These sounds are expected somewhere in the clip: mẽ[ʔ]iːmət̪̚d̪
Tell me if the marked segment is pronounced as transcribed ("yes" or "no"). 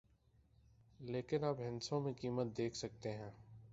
no